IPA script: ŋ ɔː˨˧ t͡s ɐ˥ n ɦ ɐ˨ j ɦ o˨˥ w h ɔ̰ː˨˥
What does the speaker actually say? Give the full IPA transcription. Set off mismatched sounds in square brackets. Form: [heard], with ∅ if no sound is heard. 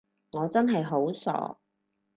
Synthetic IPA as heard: ŋ ɔː˨˧ t͡s ɐ˥ n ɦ ɐ˨ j ɦ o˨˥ w [s] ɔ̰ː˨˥